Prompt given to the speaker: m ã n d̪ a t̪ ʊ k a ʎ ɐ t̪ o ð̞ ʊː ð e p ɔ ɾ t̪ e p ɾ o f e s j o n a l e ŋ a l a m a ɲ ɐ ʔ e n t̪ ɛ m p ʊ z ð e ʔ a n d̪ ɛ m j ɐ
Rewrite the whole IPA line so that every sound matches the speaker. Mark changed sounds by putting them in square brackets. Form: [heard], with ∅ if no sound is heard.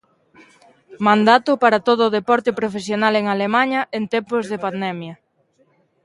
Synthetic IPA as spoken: m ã n d̪ a t̪ ʊ [p] a [ɾ] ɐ t̪ o ð̞ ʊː ð e p ɔ ɾ t̪ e p ɾ o f e s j o n a l e ŋ a l [e] m a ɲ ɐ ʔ e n t̪ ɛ m p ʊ z ð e [p] a n d̪ ɛ m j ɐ